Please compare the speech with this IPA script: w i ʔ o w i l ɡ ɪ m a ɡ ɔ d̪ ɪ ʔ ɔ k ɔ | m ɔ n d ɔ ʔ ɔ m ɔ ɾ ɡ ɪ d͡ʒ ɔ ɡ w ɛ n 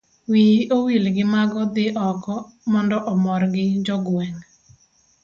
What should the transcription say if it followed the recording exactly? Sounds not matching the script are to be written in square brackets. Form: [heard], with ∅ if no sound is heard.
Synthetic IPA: w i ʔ o w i l ɡ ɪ m a ɡ ɔ d̪ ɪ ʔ ɔ k ɔ | m ɔ n d ɔ ʔ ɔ m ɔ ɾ ɡ ɪ d͡ʒ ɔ ɡ w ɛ [ŋ]